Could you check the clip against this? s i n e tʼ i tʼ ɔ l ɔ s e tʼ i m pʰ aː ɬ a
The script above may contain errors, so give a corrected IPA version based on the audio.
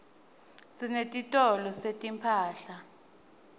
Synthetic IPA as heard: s i n e tʼ i tʼ ɔ l ɔ s e tʼ i m pʰ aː ɬ a